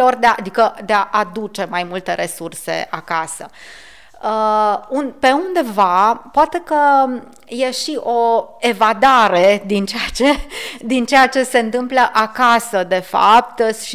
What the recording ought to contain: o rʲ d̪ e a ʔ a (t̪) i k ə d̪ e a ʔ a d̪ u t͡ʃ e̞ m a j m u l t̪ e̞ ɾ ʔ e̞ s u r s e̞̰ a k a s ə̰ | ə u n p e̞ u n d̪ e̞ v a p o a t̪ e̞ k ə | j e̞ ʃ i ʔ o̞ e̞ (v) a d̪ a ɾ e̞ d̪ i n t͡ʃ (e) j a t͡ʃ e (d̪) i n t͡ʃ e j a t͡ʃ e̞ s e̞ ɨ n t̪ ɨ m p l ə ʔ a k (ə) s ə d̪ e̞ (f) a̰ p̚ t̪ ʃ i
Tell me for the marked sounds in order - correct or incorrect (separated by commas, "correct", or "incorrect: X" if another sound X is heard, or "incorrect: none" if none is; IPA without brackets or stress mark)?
incorrect: d̪, correct, correct, correct, incorrect: a, correct